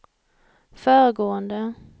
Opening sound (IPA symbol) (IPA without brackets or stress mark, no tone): f